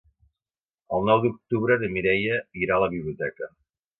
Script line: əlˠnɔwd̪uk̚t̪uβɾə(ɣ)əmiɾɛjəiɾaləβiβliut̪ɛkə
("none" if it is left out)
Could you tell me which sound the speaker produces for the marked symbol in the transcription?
ð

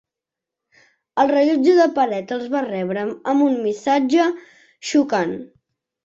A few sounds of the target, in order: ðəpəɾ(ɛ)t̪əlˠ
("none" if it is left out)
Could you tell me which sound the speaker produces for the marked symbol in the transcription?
ɛ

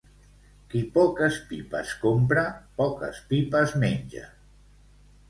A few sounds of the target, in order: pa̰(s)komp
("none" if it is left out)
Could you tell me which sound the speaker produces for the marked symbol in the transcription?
s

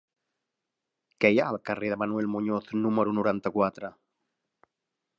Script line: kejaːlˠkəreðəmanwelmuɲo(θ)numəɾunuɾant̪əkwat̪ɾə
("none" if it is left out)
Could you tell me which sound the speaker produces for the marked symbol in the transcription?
θ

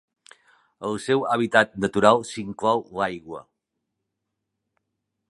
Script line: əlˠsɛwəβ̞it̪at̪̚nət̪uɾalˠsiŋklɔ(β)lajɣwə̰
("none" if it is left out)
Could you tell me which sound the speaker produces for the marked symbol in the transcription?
w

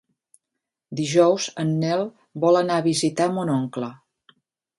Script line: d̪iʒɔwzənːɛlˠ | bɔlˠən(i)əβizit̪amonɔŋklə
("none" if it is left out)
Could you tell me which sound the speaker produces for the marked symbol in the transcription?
a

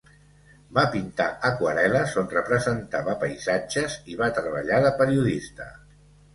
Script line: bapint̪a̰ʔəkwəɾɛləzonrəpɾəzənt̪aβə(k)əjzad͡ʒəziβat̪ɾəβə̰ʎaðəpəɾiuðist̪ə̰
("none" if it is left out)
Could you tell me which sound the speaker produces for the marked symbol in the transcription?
p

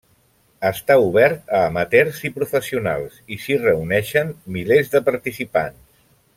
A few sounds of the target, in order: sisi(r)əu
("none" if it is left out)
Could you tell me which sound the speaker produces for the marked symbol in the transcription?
r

